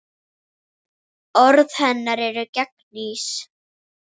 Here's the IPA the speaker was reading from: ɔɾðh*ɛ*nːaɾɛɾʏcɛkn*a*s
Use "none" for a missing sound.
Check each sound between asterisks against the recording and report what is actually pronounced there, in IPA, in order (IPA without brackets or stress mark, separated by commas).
ɛ, i